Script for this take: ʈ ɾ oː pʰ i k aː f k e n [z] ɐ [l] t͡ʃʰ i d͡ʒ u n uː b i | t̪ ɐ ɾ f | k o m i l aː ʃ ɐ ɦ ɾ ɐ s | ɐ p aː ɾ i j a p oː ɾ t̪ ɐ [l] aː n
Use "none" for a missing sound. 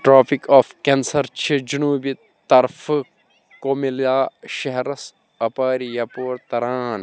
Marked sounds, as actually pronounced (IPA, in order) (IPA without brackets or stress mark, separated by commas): s, ɾ, ɾ